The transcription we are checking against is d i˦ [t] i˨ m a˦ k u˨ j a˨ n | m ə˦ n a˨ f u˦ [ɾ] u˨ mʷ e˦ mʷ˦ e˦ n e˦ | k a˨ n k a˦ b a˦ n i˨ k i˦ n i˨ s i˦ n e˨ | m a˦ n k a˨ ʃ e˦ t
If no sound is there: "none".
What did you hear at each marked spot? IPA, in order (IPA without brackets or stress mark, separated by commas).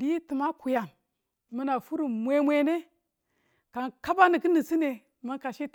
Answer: t, ɾ